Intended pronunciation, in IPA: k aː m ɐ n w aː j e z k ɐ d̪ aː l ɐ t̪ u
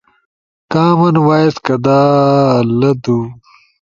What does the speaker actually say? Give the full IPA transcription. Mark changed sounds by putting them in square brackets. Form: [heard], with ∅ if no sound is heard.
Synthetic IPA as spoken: k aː m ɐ n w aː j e [s] k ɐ d̪ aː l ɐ [d̪] u

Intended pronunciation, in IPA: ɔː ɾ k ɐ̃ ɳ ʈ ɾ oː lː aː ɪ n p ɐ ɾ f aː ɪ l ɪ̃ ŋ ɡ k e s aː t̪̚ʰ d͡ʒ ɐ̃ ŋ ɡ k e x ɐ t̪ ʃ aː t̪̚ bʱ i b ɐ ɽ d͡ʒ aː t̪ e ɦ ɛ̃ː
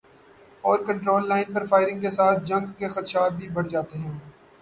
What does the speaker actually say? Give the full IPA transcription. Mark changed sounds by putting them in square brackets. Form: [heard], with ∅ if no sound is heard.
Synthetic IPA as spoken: ɔː ɾ k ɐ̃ ɳ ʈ ɾ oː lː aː ɪ n p ɐ ɾ f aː ɪ [ɾ] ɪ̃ ŋ ɡ k e s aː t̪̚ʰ d͡ʒ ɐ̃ ŋ ɡ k e x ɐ t̪ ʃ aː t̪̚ bʱ i b ɐ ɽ d͡ʒ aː t̪ e ɦ ɛ̃ː

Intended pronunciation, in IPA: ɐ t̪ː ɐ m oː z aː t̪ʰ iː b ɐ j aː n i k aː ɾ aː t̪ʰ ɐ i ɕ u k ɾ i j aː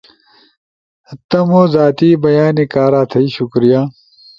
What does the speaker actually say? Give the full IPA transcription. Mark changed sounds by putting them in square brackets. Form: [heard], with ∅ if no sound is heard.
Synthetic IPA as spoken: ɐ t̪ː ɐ m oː z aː [t̪] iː b ɐ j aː n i k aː ɾ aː t̪ʰ ɐ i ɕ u k ɾ i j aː

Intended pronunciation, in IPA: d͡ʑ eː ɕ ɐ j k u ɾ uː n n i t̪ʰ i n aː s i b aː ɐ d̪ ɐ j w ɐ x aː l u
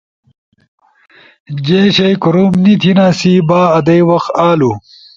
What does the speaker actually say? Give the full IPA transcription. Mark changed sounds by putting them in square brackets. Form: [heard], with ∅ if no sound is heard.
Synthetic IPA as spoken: d͡ʑ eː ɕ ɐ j k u ɾ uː [m] n i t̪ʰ i n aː s i b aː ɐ d̪ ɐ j w ɐ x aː l u

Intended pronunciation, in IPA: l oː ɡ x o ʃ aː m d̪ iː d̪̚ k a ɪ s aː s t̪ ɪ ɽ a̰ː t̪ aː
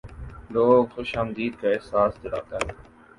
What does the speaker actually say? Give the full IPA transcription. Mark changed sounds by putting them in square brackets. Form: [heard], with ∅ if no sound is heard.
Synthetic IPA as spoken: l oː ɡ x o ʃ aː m d̪ iː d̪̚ k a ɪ s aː s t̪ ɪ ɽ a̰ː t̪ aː

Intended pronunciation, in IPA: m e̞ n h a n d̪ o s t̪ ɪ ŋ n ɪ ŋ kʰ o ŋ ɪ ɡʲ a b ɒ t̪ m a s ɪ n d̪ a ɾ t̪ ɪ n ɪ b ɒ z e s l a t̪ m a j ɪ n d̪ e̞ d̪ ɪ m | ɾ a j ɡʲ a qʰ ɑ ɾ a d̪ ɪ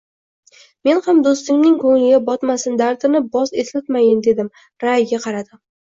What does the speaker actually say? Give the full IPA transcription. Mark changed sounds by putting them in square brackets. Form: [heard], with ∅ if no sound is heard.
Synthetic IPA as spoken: m e̞ n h a [m] d̪ o s t̪ ɪ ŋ n ɪ ŋ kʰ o ŋ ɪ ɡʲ a b ɒ t̪ m a s ɪ n d̪ a ɾ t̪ ɪ n ɪ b ɒ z e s l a t̪ m a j ɪ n d̪ e̞ d̪ ɪ m | ɾ a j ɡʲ a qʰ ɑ ɾ a d̪ ɪ

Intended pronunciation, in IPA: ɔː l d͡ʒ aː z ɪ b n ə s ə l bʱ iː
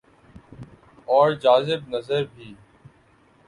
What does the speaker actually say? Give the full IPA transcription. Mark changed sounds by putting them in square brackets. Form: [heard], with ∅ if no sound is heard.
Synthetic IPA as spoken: ɔː [ɾ] d͡ʒ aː z ɪ b n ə [z] ə [ɾ] bʱ iː

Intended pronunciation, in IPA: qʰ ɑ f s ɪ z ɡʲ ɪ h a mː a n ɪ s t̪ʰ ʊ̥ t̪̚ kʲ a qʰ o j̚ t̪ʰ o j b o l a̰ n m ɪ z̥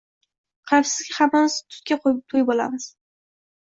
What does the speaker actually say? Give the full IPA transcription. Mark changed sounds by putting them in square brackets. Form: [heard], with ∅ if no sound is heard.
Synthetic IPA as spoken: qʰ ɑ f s ɪ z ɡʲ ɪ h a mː a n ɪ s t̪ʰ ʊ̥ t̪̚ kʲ a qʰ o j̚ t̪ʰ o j b o l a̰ [∅] m ɪ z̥

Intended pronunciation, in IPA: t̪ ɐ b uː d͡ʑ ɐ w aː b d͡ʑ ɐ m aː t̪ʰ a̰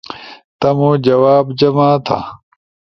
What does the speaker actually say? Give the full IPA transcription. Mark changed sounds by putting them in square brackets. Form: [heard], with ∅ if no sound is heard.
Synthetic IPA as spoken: t̪ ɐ [m] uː d͡ʑ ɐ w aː b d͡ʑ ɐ m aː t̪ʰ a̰

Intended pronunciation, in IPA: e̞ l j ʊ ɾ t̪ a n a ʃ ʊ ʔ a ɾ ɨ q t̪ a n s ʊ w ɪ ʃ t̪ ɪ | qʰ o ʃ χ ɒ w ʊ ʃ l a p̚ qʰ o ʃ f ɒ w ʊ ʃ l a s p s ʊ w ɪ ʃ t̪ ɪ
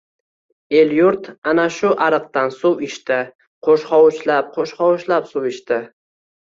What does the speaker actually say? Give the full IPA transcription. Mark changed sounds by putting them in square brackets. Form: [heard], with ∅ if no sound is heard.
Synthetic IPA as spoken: e̞ l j ʊ ɾ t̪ a n a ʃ ʊ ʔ a ɾ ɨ q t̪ a n s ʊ w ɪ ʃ t̪ ɪ | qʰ o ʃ χ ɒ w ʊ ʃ l a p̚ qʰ o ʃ [χ] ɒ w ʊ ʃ l a [∅] p s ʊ w ɪ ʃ t̪ ɪ

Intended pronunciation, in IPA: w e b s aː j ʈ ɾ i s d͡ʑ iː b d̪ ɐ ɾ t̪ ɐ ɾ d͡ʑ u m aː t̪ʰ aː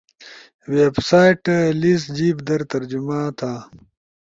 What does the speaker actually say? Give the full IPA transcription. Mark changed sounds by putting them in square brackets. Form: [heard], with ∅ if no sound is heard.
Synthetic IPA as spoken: w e b s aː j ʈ [l] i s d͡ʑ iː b d̪ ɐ ɾ t̪ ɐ ɾ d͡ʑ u m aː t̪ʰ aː

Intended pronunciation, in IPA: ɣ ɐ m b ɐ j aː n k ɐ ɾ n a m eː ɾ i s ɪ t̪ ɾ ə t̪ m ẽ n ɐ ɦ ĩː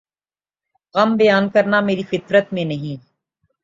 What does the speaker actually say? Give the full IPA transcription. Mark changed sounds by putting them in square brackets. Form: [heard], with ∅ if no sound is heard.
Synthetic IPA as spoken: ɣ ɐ m b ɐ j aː n k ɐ ɾ n a m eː ɾ i [f] ɪ t̪ ɾ ə t̪ m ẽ n ɐ ɦ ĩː

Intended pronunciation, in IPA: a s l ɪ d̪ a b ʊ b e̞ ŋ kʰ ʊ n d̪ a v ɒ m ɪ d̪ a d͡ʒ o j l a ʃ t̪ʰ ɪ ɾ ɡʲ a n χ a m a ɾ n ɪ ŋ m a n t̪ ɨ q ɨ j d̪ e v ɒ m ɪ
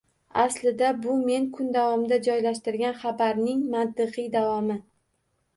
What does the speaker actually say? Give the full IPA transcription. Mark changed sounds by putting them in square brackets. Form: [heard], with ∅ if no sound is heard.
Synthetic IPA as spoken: a s l ɪ d̪ a b ʊ [m] e̞ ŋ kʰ ʊ n d̪ a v ɒ m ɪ d̪ a d͡ʒ [ɒ] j l a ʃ [t̪] ɪ ɾ ɡʲ a n χ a [b] a ɾ n ɪ ŋ m a n t̪ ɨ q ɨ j d̪ [a] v ɒ m ɪ

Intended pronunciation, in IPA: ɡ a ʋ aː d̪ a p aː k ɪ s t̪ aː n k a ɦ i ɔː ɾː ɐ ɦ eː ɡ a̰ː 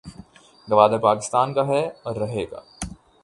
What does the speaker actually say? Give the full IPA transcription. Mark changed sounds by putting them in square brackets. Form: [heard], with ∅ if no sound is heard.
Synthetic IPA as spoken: ɡ [ɐ] ʋ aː d̪ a p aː k ɪ s t̪ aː n k a ɦ [ɛ] ɔː ɾː ɐ ɦ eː ɡ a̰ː

